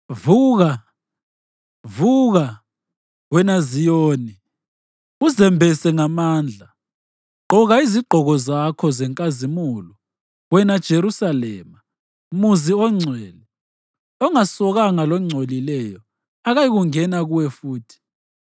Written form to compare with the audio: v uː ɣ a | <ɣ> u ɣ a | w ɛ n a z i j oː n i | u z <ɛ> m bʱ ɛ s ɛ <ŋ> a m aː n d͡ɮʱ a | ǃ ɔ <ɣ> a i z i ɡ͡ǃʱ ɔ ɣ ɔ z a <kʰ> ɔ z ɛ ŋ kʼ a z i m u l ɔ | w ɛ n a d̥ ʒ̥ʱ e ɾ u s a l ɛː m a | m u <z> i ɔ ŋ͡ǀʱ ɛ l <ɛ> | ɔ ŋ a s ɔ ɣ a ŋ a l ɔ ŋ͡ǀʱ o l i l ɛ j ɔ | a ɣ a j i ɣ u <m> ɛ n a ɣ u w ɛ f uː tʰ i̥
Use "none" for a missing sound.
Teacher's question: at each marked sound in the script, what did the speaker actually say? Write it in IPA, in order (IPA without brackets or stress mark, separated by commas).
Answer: v, ɛ, ŋ, ɣ, kʰ, z, ɛ, ŋ